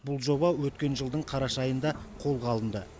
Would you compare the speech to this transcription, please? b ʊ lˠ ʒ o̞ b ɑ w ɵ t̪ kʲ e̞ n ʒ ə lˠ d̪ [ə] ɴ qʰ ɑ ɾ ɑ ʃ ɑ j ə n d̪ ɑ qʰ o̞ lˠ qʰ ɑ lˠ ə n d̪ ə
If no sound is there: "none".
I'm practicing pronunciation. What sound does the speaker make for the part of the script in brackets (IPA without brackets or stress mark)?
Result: ə